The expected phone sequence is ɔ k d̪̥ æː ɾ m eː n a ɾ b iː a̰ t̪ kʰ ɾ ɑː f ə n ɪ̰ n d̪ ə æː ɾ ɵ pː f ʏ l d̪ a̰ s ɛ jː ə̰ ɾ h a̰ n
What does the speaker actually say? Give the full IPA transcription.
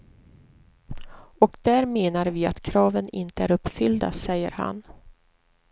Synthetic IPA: ɔ k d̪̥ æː ɾ m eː n a ɾ v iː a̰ t̪ kʰ ɾ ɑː v ə n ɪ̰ n t̪ ə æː ɾ ɵ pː f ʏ l d̪ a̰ s ɛ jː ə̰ ɾ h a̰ n

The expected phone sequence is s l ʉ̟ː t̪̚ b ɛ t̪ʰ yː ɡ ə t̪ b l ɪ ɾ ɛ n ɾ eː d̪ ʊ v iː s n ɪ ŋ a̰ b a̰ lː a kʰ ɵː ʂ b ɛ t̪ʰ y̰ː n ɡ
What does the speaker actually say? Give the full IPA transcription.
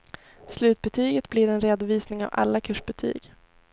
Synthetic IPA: s l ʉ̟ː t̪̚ b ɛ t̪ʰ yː ɡ ə t̪ b l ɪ ɾ ɛ n ɾ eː d̪ ʊ v iː s n ɪ ŋ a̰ v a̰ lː a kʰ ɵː ʂ b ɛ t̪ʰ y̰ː ɡ

